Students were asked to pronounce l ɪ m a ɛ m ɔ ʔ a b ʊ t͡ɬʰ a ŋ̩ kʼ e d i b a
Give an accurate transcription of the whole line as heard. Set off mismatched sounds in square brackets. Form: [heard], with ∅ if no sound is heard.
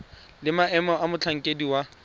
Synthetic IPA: l ɪ m a ɛ m ɔ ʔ a [m] ʊ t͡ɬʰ a ŋ̩ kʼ e d i [w] a